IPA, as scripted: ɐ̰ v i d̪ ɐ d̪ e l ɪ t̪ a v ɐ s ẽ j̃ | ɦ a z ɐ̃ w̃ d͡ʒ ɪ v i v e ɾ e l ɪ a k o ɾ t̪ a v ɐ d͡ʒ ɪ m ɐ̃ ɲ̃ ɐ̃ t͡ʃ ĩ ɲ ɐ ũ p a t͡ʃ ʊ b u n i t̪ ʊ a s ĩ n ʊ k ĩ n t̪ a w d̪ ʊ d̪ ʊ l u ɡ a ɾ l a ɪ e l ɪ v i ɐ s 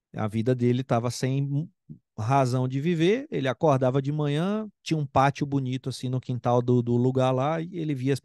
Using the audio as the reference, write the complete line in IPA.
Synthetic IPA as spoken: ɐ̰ v i d̪ ɐ d̪ e l ɪ t̪ a v ɐ s ẽ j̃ | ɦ a z ɐ̃ w̃ d͡ʒ ɪ v i v e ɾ e l ɪ a k o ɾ d̪ a v ɐ d͡ʒ ɪ m ɐ̃ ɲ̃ ɐ̃ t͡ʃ ĩ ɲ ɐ ũ p a t͡ʃ ʊ b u n i t̪ ʊ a s ĩ n ʊ k ĩ n t̪ a w d̪ ʊ d̪ ʊ l u ɡ a ɾ l a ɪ e l ɪ v i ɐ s